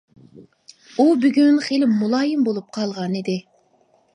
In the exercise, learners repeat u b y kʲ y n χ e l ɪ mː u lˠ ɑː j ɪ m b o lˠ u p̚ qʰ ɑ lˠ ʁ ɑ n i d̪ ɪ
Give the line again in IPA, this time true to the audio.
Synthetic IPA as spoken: u b y ɡʲ y n χ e l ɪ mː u lˠ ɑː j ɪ m b o lˠ u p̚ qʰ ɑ lˠ ʁ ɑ n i d̪ ɪ